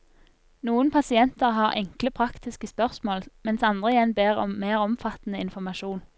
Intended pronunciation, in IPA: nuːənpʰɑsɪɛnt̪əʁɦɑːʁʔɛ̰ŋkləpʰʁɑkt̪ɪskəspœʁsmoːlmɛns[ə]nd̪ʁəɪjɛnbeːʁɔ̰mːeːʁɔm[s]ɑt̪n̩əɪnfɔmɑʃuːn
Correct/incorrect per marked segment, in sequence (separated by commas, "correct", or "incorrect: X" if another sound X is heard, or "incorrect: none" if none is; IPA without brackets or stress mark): incorrect: ɑ, incorrect: f